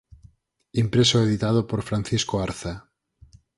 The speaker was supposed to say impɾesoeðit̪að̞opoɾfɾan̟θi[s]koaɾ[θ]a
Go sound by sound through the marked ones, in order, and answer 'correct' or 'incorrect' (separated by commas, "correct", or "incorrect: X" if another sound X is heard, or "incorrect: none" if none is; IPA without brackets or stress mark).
correct, correct